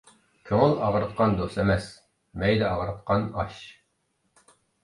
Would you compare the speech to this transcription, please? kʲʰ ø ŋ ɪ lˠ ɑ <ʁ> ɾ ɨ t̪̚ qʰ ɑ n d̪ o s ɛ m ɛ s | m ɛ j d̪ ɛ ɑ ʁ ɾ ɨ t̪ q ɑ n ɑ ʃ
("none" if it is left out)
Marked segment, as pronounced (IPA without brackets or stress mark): ʁ